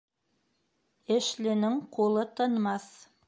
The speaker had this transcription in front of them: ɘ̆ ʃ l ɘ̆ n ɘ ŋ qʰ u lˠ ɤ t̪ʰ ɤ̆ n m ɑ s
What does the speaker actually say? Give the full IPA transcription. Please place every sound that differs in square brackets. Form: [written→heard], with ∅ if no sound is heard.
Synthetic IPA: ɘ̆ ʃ l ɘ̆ n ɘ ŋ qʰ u lˠ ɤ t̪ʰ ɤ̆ n m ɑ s